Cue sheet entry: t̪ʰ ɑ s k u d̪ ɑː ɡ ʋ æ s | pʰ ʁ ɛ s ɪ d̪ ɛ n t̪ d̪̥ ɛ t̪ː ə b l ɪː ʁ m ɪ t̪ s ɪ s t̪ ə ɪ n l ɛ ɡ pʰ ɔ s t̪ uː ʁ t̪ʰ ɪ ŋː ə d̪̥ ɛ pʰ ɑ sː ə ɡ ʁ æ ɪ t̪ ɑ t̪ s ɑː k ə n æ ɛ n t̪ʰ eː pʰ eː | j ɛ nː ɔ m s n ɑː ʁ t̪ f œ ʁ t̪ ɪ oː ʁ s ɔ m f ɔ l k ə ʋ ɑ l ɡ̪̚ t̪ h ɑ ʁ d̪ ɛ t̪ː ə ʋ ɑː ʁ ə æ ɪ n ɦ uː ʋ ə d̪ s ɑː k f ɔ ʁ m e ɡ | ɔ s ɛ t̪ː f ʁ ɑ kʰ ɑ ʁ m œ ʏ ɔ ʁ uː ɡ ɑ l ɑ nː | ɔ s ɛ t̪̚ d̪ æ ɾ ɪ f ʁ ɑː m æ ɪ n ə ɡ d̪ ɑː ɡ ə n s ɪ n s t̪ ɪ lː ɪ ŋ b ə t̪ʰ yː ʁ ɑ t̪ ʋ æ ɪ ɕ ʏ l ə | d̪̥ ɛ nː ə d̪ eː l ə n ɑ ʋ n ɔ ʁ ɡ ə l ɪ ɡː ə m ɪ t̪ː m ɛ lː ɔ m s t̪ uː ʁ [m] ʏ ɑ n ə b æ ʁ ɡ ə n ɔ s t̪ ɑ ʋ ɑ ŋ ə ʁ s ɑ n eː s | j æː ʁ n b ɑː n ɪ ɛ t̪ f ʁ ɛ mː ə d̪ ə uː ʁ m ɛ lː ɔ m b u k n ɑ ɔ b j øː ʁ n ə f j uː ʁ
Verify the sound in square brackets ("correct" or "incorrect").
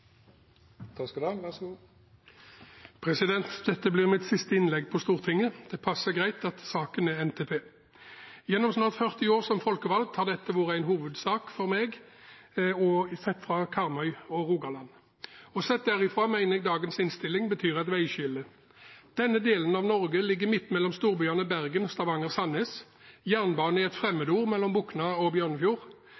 incorrect